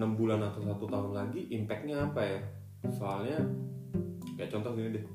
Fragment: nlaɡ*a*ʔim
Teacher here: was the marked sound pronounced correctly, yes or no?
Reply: no